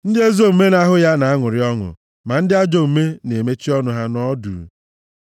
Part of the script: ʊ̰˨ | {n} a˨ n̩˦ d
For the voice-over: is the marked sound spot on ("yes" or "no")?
no